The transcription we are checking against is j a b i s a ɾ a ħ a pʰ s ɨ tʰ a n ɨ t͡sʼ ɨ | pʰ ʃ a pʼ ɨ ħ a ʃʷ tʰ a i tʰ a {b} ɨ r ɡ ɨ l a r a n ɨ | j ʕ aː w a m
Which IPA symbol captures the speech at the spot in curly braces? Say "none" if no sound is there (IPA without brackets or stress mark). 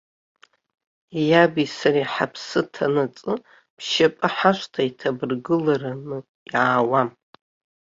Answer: b